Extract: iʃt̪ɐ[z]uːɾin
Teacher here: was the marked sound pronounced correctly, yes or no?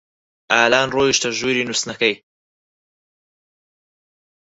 no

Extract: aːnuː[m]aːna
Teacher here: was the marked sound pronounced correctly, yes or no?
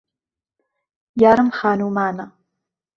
yes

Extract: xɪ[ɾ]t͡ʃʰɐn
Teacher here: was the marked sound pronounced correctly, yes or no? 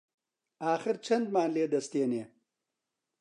yes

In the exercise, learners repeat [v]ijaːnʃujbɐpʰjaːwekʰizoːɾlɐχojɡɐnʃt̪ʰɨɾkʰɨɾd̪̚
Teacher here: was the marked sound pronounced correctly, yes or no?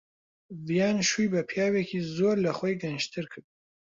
yes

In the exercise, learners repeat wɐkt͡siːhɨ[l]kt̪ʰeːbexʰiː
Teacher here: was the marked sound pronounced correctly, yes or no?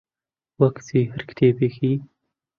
no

